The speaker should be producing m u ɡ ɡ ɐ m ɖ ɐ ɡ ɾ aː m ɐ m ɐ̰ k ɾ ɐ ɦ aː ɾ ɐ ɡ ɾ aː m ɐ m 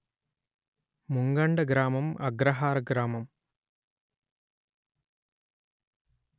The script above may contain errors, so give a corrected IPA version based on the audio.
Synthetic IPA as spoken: m u ŋ ɡ ɐ ɳ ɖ ɐ ɡ ɾ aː m ɐ m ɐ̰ ɡ ɾ ɐ ɦ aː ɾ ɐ ɡ ɾ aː m ɐ m

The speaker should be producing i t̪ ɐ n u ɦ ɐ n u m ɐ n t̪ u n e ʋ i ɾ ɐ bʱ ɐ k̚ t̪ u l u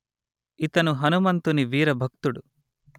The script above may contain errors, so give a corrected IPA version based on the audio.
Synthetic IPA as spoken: i t̪ ɐ n u ɦ ɐ n u m ɐ n t̪ u n i ʋ iː ɾ ɐ bʱ ɐ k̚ t̪ u ɽ u

